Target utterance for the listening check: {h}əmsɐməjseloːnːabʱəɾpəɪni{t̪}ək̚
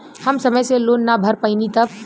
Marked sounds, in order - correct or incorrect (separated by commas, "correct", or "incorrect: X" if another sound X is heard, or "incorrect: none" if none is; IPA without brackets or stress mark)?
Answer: correct, correct